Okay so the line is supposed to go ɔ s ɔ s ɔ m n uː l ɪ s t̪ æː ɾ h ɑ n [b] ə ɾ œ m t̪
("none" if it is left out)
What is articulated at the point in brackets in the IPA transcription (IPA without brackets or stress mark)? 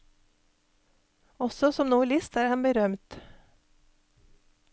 b